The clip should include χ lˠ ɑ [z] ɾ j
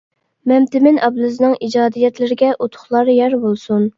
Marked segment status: incorrect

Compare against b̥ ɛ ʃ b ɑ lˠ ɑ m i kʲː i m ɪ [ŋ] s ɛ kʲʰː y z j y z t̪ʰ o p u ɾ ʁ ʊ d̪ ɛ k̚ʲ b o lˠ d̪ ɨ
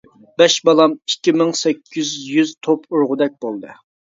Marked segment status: correct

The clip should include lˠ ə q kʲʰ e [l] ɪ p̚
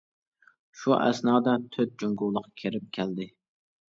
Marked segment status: incorrect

